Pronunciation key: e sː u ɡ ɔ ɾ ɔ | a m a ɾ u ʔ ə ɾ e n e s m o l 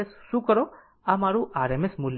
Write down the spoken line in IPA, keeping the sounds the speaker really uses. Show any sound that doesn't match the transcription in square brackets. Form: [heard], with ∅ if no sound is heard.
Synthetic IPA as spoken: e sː u [k] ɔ ɾ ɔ | a m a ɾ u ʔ [a] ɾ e [m] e s m [u] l